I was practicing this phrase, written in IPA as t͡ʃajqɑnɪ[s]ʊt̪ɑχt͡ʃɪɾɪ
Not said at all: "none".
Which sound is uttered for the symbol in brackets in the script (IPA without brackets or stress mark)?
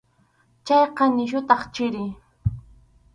ʃ